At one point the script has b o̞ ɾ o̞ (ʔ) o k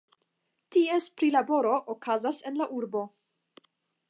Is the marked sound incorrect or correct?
correct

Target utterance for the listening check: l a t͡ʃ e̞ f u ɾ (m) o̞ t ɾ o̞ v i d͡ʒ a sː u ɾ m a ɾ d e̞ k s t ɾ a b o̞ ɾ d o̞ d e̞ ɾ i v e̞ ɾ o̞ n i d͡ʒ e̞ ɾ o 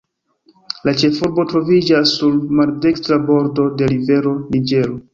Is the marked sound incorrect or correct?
incorrect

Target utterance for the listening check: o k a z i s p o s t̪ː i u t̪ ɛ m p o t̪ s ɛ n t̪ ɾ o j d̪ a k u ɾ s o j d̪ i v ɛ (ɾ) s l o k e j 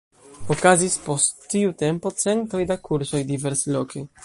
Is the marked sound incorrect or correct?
correct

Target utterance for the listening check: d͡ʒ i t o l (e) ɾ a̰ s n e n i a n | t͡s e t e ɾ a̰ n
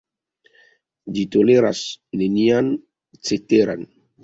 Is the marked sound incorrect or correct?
correct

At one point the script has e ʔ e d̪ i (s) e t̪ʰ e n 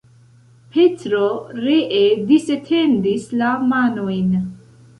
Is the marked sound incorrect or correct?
correct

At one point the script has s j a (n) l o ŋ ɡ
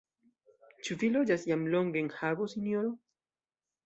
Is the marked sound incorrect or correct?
incorrect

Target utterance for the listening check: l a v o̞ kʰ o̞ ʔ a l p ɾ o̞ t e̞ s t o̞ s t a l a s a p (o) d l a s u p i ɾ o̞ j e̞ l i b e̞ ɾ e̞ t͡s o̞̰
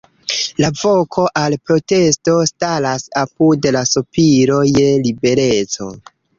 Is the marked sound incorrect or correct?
incorrect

